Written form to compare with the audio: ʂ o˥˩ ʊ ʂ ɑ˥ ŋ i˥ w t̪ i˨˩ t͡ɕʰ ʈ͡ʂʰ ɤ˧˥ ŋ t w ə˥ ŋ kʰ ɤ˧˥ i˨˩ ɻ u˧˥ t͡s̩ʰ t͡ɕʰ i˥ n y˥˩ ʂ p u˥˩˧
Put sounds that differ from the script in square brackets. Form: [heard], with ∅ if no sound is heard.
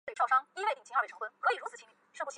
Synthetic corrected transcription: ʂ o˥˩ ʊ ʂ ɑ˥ ŋ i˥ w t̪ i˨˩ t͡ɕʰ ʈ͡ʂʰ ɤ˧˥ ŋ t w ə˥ [n] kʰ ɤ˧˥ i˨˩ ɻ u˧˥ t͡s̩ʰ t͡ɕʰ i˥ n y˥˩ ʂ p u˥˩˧